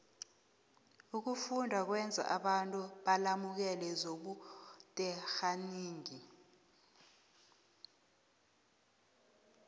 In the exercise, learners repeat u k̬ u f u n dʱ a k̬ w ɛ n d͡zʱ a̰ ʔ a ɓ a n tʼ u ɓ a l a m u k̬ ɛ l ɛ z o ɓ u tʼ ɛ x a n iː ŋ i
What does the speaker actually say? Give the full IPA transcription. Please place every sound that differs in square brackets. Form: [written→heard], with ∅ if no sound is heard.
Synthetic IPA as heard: u k̬ u f u n dʱ a k̬ w ɛ n d͡zʱ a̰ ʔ a ɓ a n tʼ u ɓ a l a m u k̬ ɛ l ɛ z o ɓ u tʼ ɛ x a n iː ŋ i